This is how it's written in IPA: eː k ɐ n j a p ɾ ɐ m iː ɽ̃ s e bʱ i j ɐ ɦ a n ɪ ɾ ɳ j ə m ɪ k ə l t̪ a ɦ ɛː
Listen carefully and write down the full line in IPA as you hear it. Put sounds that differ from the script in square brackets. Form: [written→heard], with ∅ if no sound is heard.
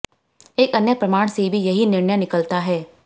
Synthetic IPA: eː k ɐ n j [a→ə] p ɾ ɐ m [iː→aː] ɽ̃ s e bʱ i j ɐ ɦ [a→i] n ɪ ɾ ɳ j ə [m→n] ɪ k ə l t̪ a ɦ ɛː